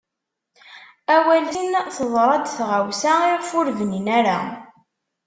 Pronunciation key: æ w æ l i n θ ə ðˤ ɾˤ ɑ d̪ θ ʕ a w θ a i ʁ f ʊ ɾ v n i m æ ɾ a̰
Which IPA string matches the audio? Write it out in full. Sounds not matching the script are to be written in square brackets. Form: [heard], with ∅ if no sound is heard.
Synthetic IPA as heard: æ w æ l i n θ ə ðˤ ɾˤ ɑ d̪ θ [ʁ] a w [s] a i ʁ f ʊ ɾ v n i [n] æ ɾ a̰